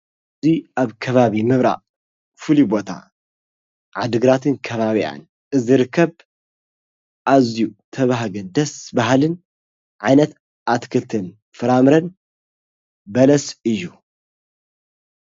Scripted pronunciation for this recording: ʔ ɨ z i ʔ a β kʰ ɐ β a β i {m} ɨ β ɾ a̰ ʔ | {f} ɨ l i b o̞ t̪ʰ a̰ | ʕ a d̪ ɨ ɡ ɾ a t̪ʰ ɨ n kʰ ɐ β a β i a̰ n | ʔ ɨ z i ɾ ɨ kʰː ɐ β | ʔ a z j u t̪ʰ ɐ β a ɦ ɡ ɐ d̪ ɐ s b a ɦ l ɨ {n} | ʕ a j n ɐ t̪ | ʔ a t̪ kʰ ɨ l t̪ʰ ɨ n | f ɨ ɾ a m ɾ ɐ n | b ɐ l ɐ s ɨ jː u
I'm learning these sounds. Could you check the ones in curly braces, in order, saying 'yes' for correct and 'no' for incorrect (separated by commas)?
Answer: yes, yes, yes